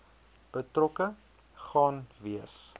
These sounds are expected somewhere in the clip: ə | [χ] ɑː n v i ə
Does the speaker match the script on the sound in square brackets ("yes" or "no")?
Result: yes